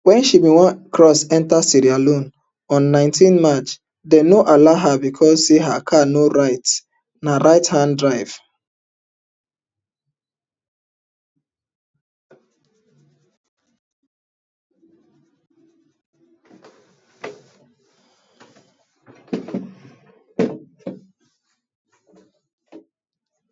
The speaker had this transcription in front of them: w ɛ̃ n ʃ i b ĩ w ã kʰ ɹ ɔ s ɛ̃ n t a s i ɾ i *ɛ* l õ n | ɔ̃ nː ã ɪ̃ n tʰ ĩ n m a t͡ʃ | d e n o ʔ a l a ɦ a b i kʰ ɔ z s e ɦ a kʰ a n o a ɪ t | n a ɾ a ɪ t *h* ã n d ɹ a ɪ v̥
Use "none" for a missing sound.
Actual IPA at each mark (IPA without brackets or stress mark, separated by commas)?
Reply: a, h